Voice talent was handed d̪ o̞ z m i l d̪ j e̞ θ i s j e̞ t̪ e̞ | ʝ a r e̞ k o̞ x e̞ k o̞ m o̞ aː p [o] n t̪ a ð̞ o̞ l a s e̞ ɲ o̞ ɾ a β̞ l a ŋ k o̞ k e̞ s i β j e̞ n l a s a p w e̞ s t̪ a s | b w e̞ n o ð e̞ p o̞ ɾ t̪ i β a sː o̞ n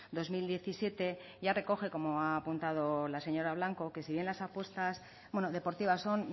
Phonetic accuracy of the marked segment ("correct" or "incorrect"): incorrect